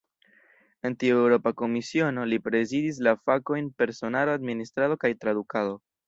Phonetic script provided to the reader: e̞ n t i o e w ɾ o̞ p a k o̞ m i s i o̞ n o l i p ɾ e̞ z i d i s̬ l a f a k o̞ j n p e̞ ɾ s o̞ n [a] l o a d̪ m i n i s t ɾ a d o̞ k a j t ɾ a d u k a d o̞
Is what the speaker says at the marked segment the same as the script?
yes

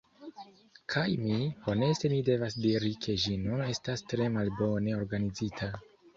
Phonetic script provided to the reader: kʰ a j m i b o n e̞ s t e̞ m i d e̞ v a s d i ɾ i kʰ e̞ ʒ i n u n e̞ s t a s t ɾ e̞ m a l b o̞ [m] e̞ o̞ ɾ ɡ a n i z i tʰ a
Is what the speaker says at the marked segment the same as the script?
no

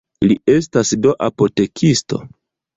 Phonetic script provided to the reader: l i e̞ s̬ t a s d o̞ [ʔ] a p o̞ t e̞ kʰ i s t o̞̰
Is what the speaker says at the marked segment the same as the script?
yes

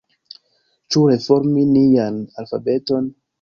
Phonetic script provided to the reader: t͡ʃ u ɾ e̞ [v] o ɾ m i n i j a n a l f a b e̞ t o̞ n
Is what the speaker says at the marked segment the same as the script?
no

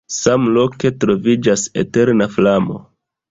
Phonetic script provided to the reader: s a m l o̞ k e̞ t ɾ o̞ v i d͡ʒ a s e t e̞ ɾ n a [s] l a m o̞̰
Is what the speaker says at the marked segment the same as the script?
no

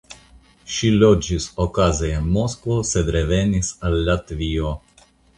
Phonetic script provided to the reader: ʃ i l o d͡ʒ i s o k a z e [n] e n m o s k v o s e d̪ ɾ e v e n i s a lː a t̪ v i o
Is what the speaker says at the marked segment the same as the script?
no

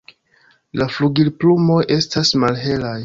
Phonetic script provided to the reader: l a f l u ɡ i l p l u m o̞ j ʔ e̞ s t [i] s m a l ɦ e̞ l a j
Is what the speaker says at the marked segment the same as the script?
no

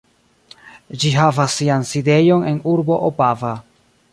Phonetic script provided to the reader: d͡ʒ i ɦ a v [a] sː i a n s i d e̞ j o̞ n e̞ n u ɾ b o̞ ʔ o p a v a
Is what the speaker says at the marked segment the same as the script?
yes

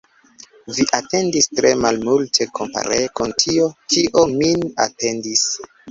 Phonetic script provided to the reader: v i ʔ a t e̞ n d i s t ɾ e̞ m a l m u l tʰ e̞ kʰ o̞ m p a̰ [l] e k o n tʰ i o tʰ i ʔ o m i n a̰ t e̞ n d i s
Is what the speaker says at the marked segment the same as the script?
no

